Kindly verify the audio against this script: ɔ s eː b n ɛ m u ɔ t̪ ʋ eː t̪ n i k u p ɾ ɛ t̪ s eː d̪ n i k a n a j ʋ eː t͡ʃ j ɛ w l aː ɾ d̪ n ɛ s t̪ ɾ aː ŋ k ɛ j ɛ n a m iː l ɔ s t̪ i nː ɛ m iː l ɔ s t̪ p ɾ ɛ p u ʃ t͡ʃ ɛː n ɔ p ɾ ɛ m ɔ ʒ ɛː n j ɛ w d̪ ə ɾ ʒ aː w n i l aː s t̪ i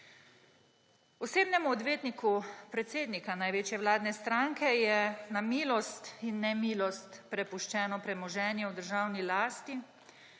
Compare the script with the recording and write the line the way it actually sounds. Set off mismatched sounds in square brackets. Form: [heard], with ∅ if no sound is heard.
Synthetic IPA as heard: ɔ s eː b n ɛ m u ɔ [d̪] ʋ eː t̪ n i k u p ɾ ɛ t̪ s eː d̪ n i k a n a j ʋ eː t͡ʃ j ɛ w l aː [∅] d̪ n ɛ s t̪ ɾ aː ŋ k ɛ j ɛ n a m iː l ɔ s t̪ i nː ɛ m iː l ɔ s t̪ p ɾ ɛ p u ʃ t͡ʃ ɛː n ɔ p ɾ ɛ m ɔ ʒ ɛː n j ɛ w d̪ ə ɾ ʒ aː w n i l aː s t̪ i